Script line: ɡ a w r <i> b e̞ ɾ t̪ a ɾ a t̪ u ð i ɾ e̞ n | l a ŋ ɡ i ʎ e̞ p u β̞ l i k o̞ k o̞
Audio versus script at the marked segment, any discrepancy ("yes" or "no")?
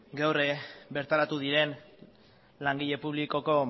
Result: yes